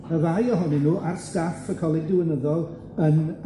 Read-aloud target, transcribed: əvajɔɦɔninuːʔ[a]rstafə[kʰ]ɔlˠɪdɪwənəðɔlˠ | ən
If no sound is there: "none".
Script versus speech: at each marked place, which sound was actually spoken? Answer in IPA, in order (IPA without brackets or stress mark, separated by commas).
a, kʰ